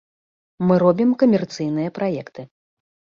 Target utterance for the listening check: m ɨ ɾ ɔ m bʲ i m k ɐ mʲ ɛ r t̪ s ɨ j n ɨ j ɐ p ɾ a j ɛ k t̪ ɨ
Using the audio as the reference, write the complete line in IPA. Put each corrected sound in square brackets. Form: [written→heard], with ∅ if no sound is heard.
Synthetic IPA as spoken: m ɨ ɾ ɔ [m→∅] bʲ i m k ɐ mʲ ɛ r t̪ s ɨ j n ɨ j ɐ p ɾ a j ɛ k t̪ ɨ